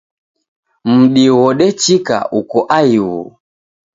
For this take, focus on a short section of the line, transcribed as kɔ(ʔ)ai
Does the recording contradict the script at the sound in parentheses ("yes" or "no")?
no